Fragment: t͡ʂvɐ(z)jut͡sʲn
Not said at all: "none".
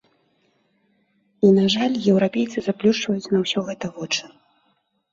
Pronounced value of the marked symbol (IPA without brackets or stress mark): none